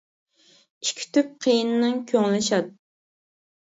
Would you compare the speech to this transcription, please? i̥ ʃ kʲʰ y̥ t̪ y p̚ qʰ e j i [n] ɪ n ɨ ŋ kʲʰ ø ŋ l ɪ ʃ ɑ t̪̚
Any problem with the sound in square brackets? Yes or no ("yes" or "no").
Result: no